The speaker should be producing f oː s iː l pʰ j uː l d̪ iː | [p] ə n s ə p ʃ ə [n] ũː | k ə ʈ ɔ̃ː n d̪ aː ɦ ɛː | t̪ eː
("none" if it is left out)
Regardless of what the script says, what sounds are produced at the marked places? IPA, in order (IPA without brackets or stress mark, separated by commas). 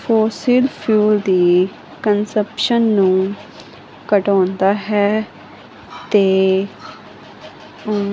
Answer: k, nː